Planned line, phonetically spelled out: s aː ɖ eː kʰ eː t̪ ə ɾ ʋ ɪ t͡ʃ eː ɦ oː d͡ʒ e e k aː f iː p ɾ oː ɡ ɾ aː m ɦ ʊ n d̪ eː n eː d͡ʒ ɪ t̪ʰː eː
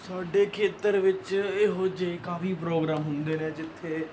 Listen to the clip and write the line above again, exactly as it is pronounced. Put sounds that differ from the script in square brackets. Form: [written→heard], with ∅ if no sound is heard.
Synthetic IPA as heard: s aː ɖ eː kʰ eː t̪ ə ɾ ʋ ɪ t͡ʃ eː ɦ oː d͡ʒ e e k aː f iː p ɾ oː ɡ ɾ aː m ɦ ʊ n d̪ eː n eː d͡ʒ ɪ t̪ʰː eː